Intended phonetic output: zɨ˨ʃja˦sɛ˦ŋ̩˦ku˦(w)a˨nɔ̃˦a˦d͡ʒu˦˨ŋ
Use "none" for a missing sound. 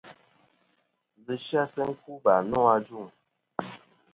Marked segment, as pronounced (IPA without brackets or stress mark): b